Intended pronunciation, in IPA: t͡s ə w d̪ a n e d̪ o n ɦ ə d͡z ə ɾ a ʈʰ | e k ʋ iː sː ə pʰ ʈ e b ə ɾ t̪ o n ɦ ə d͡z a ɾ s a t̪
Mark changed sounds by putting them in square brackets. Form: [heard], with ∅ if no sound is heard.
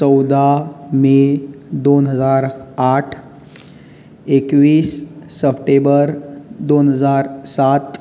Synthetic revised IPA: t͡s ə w d̪ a [m] e d̪ o n ɦ ə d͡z [a] ɾ a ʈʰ | e k ʋ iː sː ə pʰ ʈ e b ə ɾ [d̪] o n ɦ ə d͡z a ɾ s a t̪